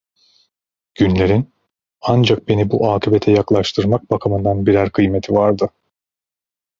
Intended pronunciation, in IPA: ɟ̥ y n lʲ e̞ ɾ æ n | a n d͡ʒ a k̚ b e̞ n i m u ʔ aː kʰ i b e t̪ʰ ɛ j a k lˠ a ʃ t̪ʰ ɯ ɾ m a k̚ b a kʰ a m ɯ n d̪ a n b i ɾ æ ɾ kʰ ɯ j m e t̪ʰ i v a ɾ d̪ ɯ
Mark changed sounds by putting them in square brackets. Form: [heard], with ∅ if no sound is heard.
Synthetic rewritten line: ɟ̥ y n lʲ e̞ ɾ [i] n | a n d͡ʒ a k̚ b e̞ n i [b] u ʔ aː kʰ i b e t̪ʰ ɛ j a k lˠ a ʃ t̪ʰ ɯ ɾ m a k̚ b a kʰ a m ɯ n d̪ a n b i ɾ æ ɾ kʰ ɯ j m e t̪ʰ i v a ɾ d̪ ɯ